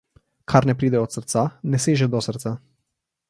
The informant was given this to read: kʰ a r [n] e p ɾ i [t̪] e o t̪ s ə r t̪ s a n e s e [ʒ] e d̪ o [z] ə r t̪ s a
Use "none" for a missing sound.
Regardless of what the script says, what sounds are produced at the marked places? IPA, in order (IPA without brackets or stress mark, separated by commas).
n, d̪, ʒ, s